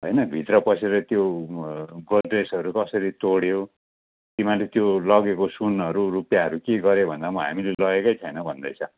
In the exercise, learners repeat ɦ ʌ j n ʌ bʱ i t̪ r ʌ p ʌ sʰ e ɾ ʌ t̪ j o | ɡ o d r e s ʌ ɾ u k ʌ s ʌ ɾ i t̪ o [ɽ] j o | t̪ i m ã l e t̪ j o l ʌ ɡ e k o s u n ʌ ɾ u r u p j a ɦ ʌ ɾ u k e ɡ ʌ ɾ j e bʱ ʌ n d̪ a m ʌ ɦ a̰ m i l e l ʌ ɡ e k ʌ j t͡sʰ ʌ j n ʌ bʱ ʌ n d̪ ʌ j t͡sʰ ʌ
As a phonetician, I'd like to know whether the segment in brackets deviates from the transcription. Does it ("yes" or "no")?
no